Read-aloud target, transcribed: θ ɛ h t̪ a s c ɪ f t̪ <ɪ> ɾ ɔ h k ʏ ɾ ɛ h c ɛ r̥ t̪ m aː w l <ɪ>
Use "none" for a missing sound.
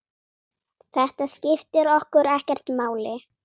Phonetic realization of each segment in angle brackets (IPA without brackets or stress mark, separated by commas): ɪ, ɪ